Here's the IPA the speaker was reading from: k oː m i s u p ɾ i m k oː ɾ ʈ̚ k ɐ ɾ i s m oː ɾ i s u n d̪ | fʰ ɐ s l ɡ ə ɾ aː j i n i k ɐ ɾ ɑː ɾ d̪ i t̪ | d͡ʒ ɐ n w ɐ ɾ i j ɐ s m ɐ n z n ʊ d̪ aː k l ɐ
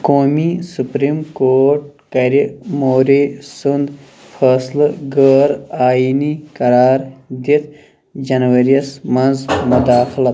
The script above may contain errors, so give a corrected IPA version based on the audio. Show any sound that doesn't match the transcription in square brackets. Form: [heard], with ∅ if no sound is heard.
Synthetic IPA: k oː m i s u p ɾ i m k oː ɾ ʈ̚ k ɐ ɾ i [∅] m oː ɾ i s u n d̪ | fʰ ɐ s l ɡ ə ɾ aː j i n i k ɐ ɾ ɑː ɾ d̪ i t̪ | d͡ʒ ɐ n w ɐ ɾ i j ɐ s m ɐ n z [m] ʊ d̪ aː [x] l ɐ